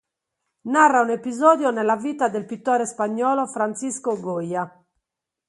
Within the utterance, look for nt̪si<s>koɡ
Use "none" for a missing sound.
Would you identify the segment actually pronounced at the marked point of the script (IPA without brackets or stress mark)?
s